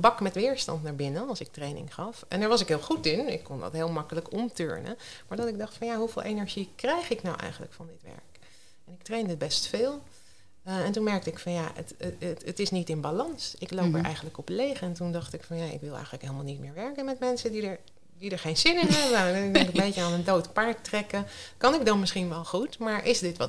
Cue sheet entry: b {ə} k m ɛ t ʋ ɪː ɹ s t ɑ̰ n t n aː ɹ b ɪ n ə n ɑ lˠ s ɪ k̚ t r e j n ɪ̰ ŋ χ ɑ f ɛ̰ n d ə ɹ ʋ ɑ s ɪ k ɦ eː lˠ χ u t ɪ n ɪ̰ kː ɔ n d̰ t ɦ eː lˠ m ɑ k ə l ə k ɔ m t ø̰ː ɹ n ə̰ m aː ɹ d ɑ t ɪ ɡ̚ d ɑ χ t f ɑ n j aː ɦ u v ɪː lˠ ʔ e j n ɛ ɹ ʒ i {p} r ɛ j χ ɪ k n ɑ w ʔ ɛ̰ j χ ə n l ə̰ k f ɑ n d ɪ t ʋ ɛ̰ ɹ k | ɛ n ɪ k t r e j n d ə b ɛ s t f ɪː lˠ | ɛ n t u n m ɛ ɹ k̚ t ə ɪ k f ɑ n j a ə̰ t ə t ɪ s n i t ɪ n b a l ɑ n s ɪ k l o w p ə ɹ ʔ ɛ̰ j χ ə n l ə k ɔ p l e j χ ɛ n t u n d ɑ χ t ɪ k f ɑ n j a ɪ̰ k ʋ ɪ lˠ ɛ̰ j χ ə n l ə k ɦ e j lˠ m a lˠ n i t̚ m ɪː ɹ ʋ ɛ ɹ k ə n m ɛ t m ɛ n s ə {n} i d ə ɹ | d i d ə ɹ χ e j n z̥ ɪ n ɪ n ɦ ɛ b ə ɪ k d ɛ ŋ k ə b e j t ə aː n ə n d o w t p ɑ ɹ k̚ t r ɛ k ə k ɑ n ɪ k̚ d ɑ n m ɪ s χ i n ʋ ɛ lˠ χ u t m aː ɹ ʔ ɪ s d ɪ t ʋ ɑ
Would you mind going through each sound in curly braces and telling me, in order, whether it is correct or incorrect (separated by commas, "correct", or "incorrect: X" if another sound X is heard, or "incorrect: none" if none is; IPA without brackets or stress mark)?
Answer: incorrect: ɑ, incorrect: k, incorrect: d